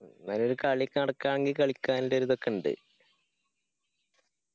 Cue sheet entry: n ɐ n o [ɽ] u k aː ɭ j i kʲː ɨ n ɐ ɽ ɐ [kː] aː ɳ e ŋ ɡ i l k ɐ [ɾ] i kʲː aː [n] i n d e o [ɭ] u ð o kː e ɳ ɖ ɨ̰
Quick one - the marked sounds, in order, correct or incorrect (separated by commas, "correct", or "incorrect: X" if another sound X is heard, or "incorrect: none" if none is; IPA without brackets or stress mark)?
incorrect: ɾ, correct, incorrect: ɭ, correct, incorrect: ɾ